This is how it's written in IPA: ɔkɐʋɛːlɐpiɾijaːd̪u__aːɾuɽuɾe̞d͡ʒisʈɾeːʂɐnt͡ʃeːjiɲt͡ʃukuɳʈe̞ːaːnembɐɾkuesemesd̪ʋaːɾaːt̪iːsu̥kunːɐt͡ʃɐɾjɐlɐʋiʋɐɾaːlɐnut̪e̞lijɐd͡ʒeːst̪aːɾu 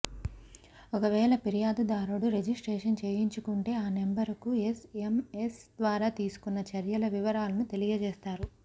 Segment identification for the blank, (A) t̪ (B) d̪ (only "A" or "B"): B